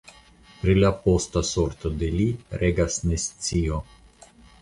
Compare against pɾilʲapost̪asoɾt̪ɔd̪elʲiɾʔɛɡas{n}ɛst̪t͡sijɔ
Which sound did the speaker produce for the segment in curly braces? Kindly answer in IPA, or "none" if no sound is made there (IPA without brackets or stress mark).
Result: n